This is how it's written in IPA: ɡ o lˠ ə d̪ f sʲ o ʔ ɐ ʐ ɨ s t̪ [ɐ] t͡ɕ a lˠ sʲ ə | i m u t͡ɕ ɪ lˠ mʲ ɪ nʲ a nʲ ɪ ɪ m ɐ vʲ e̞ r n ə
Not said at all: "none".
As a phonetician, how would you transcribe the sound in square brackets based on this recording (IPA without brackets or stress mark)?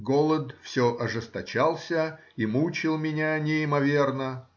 ɐ